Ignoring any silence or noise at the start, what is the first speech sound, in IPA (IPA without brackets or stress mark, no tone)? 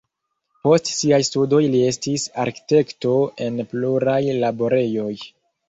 p